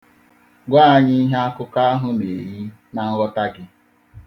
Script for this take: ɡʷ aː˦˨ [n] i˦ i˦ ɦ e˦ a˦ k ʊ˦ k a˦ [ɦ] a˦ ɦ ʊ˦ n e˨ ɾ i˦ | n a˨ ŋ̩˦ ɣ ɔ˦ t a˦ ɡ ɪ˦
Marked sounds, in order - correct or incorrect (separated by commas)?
incorrect, incorrect